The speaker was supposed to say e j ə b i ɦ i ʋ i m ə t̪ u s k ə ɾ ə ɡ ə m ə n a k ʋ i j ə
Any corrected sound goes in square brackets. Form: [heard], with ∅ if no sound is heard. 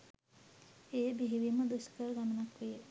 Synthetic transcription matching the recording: e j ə b i ɦ i ʋ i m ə [d̪] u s k ə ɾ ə ɡ [a] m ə n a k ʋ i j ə